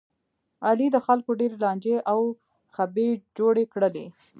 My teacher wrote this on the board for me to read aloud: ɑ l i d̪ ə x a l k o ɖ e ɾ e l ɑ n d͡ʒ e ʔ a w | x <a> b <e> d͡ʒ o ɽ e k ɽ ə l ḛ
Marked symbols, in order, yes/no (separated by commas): yes, yes